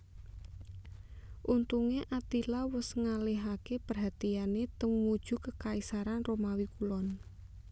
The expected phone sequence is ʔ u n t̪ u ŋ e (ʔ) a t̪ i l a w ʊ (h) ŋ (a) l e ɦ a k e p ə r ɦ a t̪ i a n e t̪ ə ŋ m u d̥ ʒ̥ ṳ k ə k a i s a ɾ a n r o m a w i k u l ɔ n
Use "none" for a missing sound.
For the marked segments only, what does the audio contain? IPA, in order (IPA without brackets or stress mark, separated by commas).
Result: ʔ, s, a